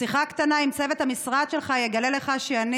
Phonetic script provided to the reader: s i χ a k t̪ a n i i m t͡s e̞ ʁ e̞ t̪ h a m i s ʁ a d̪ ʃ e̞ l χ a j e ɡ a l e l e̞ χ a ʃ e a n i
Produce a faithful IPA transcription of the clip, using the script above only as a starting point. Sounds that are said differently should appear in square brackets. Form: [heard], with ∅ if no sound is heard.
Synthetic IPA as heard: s i χ a k t̪ a n [a] i m t͡s e̞ [v] e̞ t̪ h a m i s ʁ a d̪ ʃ e̞ l χ a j e ɡ a l e l e̞ χ a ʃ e a n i